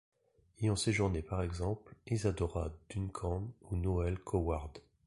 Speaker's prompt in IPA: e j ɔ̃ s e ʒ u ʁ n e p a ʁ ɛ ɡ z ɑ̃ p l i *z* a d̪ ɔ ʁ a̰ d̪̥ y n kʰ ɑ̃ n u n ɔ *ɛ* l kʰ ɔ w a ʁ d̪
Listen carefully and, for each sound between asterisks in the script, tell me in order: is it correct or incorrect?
correct, correct

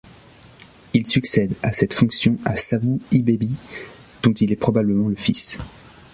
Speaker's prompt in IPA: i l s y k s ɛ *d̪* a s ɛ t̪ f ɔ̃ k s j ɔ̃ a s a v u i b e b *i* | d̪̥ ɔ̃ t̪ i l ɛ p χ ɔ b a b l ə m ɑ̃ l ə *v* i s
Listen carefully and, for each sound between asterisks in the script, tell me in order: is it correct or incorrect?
correct, correct, incorrect: f

